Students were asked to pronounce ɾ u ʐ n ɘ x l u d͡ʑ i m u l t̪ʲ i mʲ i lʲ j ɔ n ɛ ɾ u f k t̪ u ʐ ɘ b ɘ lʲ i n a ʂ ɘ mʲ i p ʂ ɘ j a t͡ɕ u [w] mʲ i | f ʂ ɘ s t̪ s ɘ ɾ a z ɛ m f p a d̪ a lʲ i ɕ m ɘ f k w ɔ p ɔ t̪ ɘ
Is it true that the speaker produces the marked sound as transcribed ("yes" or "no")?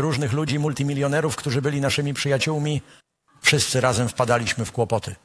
yes